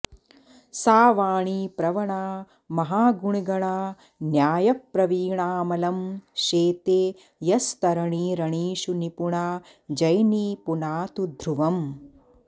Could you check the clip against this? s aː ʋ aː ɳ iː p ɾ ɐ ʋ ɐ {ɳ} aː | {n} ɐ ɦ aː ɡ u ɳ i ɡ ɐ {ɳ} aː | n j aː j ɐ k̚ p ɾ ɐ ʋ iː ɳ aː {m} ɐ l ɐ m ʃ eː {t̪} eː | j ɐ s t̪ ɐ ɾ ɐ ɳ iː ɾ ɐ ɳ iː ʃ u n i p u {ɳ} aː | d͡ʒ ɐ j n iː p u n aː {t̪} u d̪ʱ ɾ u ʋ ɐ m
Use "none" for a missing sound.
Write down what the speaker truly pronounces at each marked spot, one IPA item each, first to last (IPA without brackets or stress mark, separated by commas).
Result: ɳ, m, ɳ, m, t̪, ɳ, t̪